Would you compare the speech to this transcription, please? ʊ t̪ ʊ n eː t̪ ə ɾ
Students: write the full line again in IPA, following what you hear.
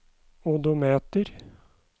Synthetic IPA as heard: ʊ d̪ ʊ m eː t̪ ə ɾ